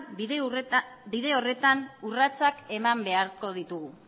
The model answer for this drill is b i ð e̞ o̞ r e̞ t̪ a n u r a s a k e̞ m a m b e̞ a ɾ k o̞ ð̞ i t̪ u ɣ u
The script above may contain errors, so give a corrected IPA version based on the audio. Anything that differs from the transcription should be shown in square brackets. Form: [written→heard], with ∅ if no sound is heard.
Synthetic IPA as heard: b i ð e̞ o̞ r e̞ t̪ a n u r a [s→t͡s] a k e̞ m a m b e̞ a ɾ k o̞ ð̞ i t̪ u ɣ u